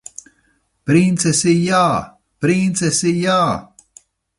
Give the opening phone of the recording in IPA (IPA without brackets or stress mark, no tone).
p